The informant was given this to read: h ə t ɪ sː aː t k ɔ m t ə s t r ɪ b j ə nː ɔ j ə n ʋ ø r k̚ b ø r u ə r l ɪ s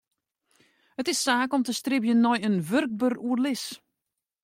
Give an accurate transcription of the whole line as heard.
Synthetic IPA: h ə t ɪ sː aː k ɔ m t ə s t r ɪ b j ə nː ɔ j ə n ʋ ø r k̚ b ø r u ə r l ɪ s

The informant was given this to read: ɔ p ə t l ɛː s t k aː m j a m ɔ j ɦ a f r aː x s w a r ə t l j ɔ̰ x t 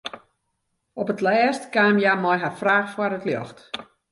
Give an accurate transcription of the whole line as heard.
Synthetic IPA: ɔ p ə t l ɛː s t k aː m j a m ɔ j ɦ a f r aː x f w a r ə t l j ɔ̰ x t

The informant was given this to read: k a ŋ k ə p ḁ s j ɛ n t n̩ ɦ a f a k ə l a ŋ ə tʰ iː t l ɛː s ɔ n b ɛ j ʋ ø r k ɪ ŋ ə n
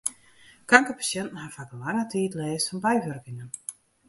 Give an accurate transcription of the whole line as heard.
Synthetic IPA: k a ŋ k ə p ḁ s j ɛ n t n̩ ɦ a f a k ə l a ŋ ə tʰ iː t l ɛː s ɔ n b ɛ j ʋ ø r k ɪ ŋ ə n

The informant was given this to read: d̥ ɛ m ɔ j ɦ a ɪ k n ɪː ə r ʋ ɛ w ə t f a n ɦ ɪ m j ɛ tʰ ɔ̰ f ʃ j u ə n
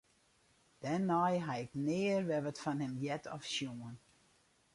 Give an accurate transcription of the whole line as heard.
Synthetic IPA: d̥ ɛ n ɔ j ɦ a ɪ k n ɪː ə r ʋ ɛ ʋ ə t f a n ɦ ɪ m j ɛ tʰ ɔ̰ f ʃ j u ə n

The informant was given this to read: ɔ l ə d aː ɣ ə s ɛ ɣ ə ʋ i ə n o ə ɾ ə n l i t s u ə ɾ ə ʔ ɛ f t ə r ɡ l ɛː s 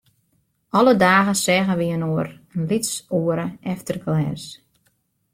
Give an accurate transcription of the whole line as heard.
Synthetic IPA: ɔ l ə d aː ɣ ə s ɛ ɣ ə ʋ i ə n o ə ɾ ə n l i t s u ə ɾ ə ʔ ɛ f t ə r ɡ l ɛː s

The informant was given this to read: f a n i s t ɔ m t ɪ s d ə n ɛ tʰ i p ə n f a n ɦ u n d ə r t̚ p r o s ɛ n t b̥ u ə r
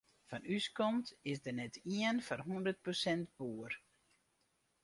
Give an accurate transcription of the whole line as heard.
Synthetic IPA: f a n y s k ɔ m t ɪ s d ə n ɛ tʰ i ə n f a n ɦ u n d ə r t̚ p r o s ɛ n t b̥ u ə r

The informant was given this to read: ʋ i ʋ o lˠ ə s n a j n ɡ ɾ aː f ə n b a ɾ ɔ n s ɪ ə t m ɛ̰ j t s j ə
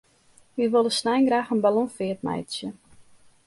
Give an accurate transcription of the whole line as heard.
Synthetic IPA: ʋ i ʋ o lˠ ə s n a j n ɡ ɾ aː x ə n b a l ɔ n f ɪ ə t m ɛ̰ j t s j ə

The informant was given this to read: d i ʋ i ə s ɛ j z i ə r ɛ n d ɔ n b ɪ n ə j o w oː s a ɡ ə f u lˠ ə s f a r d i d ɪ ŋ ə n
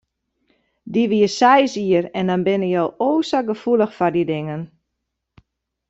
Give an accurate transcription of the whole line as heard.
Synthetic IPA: d i ʋ i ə s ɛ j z i ə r ɛ n d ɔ n b ɪ n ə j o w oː s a ɡ ə f u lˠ ə x f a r d i d ɪ ŋ ə n

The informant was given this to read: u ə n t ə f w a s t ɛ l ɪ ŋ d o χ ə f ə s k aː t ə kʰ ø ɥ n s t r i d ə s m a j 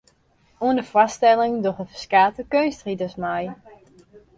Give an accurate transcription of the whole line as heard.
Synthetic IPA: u ə n d ə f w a s t ɛ l ɪ ŋ d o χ ə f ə s k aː t ə k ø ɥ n s t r i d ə s m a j

